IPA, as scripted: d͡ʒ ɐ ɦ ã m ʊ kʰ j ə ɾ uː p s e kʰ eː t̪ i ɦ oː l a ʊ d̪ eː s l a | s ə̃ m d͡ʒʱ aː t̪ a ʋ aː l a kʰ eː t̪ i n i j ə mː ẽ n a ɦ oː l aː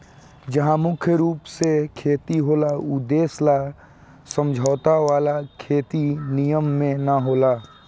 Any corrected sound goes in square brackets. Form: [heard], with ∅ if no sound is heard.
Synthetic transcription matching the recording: d͡ʒ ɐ ɦ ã m ʊ kʰ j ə ɾ uː p s e kʰ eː t̪ i ɦ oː l a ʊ d̪ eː s l a | s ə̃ m d͡ʒʱ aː t̪ a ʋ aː l a kʰ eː t̪ i n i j ə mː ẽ n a ɦ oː l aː